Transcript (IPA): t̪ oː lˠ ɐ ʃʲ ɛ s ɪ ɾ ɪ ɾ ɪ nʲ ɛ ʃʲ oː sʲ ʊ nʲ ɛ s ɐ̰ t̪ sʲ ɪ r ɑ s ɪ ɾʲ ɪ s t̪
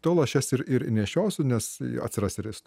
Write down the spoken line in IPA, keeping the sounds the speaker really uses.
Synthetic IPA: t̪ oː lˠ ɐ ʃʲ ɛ s ɪ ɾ ɪ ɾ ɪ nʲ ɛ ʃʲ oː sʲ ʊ nʲ ɛ s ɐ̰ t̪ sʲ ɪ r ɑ s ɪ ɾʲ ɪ s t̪